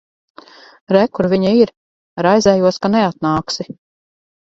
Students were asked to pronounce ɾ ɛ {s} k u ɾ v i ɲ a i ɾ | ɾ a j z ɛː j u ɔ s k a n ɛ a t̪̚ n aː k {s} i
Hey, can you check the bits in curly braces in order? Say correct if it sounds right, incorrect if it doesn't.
incorrect, correct

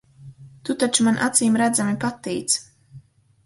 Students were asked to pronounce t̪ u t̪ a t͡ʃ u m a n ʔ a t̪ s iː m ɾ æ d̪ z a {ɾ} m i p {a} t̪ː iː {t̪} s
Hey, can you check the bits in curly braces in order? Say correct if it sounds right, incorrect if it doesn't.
incorrect, correct, correct

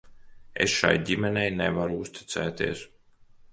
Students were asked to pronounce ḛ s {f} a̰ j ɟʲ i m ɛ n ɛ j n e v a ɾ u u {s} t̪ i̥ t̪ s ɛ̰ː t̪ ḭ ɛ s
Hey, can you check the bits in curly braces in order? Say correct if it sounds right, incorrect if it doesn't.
incorrect, correct

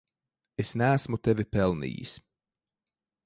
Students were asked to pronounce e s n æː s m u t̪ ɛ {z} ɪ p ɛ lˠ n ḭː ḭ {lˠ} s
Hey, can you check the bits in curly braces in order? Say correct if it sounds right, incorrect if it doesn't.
incorrect, incorrect

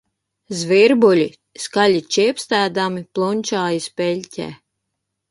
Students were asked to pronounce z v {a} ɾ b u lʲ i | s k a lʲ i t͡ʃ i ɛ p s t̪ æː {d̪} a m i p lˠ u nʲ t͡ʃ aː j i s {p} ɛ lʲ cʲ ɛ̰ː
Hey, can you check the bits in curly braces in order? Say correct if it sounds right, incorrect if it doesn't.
incorrect, correct, correct

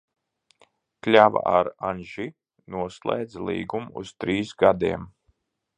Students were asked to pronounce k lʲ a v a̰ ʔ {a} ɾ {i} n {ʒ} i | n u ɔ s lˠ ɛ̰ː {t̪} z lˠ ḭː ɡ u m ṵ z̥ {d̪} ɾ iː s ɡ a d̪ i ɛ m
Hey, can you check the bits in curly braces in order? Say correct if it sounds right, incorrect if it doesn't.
correct, incorrect, correct, incorrect, incorrect

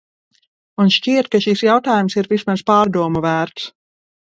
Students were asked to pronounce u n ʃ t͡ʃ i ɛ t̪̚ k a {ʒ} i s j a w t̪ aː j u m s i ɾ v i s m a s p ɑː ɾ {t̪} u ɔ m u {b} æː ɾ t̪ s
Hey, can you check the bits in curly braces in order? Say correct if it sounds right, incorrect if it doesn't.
incorrect, incorrect, incorrect

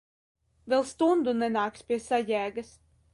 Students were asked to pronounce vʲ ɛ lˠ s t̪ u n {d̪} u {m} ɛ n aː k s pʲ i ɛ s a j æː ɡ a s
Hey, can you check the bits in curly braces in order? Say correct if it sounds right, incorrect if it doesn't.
correct, incorrect

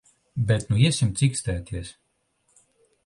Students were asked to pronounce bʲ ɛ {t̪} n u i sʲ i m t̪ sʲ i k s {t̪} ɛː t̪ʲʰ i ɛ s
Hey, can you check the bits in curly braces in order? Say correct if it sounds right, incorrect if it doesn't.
correct, correct

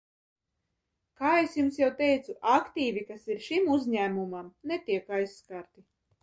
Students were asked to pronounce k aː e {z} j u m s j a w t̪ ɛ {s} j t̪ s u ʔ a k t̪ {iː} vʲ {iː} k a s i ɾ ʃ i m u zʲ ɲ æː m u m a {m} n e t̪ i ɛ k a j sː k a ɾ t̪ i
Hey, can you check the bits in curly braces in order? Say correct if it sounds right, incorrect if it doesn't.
incorrect, incorrect, correct, incorrect, correct

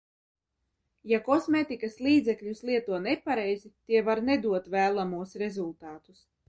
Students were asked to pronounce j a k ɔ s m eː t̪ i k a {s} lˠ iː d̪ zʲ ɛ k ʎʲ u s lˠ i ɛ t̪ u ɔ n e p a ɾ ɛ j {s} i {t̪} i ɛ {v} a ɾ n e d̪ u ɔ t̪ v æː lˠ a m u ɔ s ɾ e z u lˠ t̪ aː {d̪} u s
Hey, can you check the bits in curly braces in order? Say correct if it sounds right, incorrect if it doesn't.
correct, incorrect, correct, correct, incorrect

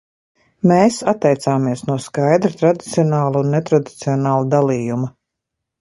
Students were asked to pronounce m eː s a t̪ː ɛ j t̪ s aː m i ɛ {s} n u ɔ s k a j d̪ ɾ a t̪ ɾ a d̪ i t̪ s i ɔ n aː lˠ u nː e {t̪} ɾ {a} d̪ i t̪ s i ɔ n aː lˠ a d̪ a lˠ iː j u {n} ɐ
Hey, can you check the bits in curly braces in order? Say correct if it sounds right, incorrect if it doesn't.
correct, correct, correct, incorrect

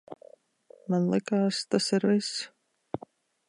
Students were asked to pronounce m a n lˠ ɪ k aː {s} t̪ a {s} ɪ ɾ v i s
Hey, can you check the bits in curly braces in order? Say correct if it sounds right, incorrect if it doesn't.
correct, correct

